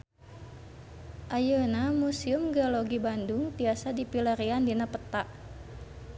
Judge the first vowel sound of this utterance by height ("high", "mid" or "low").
low